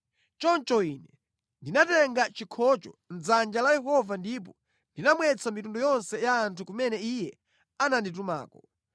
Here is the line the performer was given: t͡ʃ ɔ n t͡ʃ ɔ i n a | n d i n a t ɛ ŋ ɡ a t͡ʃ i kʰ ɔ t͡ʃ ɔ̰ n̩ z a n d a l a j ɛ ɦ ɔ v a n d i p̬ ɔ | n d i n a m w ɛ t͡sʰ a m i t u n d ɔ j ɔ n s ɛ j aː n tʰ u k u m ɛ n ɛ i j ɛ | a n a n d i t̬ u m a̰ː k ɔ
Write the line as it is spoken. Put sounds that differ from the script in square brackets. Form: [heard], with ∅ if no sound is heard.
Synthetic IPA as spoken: t͡ʃ ɔ n t͡ʃ ɔ i n [ɛ] | n d i n a t ɛ ŋ ɡ a t͡ʃ i kʰ ɔ t͡ʃ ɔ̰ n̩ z a n [d͡ʒ] a l a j ɛ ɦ ɔ v a n d i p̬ ɔ | n d i n a m w ɛ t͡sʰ a m i t u n d ɔ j ɔ n s ɛ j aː n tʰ u k u m ɛ n ɛ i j ɛ | a n a n d i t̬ u m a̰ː k ɔ